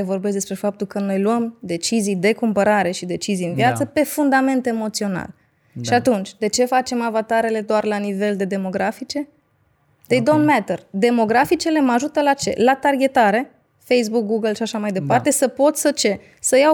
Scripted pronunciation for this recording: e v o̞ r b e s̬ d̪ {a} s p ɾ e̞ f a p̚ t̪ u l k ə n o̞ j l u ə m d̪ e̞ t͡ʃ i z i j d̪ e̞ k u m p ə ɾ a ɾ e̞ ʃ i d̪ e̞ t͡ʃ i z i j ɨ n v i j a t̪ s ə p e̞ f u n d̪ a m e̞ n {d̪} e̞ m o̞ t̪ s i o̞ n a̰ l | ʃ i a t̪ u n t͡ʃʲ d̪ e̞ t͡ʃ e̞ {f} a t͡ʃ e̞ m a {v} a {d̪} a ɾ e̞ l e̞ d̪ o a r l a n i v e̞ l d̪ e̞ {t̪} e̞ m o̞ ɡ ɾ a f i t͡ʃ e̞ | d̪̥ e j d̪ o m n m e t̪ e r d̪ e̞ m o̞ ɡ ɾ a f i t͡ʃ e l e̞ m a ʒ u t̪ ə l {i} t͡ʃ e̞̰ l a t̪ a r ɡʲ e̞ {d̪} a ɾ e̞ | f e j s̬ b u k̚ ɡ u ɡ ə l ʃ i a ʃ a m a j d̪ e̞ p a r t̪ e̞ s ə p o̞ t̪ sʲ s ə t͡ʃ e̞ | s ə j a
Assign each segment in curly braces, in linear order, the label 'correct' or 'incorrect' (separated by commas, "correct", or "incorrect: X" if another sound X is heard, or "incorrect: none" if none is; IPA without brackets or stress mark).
incorrect: e, incorrect: t̪, correct, correct, incorrect: t̪, incorrect: d̪, incorrect: a, incorrect: t̪